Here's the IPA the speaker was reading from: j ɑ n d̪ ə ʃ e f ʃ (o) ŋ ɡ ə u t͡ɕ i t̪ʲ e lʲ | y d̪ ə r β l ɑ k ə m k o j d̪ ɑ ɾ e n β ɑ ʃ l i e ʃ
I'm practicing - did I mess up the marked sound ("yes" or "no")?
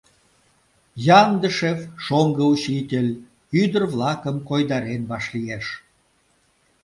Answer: no